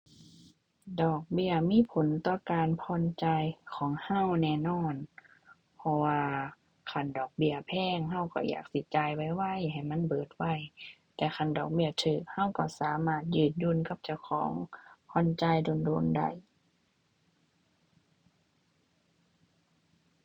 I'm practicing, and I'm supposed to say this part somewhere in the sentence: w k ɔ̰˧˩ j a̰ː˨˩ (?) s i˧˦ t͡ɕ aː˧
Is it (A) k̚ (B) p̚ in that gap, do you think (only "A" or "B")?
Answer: A